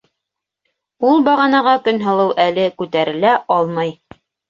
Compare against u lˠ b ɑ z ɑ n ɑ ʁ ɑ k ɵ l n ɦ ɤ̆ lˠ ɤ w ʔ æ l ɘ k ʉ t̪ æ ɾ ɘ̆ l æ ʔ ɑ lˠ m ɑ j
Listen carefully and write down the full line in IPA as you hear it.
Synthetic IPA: u lˠ b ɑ ʁ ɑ n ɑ ʁ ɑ k ɵ n ɦ ɤ̆ lˠ ɤ w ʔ æ l ɘ k ʉ t̪ æ ɾ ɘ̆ l æ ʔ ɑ lˠ m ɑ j